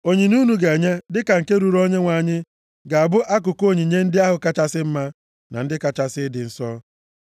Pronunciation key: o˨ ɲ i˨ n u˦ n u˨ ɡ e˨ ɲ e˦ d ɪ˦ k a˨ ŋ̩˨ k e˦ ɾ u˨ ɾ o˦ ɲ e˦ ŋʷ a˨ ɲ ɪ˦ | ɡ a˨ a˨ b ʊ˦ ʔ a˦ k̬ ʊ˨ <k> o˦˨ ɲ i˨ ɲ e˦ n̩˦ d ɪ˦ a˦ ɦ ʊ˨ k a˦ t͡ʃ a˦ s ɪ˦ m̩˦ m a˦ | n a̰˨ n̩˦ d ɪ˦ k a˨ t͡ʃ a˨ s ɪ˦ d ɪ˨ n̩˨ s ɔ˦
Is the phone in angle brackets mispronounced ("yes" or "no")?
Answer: no